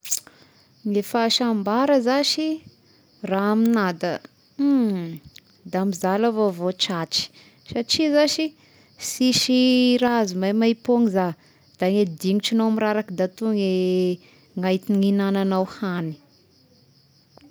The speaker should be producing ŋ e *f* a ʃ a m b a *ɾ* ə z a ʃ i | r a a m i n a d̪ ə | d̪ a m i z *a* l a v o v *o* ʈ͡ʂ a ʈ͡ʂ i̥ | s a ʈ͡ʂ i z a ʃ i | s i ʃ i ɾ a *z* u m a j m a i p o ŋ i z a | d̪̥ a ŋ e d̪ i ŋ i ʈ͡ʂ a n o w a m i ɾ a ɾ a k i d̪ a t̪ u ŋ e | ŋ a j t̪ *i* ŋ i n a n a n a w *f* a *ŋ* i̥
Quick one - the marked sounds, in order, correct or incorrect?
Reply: correct, correct, correct, correct, correct, correct, incorrect, incorrect

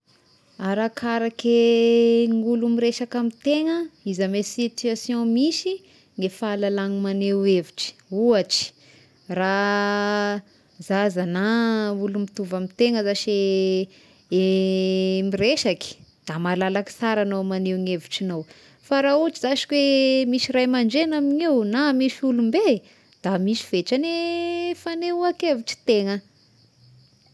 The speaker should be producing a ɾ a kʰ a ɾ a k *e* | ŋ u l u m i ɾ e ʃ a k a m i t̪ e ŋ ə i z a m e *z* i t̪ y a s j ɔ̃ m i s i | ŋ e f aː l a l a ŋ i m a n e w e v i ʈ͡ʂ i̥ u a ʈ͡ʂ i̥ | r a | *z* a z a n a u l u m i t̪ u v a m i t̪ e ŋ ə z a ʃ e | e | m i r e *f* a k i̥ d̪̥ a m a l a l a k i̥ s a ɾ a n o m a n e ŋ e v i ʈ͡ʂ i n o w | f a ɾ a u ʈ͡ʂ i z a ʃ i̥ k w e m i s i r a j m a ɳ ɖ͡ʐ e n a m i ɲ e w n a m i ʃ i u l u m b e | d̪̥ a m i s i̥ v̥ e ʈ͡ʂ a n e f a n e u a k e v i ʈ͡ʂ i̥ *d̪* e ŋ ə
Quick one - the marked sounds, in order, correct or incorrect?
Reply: correct, incorrect, correct, incorrect, incorrect

